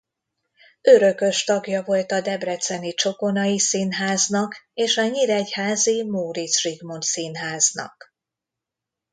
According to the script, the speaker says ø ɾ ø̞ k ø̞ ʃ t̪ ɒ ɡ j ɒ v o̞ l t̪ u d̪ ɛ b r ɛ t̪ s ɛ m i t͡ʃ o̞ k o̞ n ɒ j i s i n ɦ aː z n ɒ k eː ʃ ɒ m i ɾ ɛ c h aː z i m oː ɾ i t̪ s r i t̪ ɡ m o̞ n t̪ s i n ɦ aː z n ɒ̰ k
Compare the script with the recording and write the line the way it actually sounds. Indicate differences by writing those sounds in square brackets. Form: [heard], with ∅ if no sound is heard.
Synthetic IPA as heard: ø ɾ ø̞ k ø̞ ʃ t̪ ɒ ɡ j ɒ v o̞ l t̪ [ɒ] d̪ ɛ b r ɛ t̪ s ɛ [n] i t͡ʃ o̞ k o̞ n ɒ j i s i n ɦ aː z n ɒ k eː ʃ ɒ [ɲ] i ɾ ɛ c h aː z i m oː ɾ i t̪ s r i [∅] ɡ m o̞ n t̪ s i n ɦ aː z n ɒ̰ k